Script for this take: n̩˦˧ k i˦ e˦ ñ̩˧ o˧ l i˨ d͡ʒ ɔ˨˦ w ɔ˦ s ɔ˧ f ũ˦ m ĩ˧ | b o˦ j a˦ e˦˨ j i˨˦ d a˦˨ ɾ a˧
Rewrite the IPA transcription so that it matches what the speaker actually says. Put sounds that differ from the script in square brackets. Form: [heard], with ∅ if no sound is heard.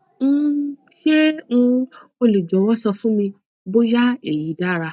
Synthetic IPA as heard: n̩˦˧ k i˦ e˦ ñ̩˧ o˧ l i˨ d͡ʒ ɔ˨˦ w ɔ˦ s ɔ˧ f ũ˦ m ĩ˧ | b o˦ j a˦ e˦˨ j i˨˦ d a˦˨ ɾ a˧